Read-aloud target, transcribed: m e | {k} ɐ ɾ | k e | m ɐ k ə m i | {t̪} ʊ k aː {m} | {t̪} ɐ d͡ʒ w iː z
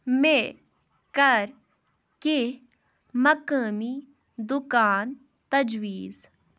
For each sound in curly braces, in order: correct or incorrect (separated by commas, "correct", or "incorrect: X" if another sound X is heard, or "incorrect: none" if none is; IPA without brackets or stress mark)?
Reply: correct, incorrect: d̪, incorrect: n, correct